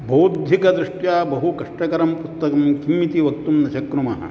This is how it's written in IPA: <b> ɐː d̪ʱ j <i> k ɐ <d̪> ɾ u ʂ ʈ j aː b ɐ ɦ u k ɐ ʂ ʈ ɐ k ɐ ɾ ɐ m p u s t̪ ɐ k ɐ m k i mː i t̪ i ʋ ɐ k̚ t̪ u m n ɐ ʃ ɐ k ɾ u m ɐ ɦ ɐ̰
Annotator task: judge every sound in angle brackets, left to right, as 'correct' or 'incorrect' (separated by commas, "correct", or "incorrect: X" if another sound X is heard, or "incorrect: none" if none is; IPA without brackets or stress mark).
correct, correct, correct